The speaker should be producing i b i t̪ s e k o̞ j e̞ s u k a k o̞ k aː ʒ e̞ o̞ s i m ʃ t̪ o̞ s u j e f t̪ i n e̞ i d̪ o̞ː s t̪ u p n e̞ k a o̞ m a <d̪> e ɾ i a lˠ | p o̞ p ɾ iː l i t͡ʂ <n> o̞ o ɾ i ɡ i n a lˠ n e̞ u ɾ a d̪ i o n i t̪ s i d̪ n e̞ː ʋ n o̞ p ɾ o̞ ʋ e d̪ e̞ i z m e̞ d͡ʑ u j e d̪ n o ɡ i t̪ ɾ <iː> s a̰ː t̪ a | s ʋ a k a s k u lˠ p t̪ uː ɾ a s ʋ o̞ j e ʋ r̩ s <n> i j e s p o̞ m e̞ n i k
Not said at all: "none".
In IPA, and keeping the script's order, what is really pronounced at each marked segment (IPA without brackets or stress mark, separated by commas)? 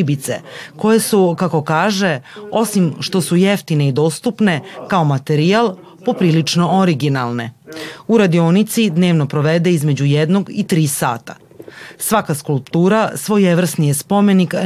t̪, n, iː, n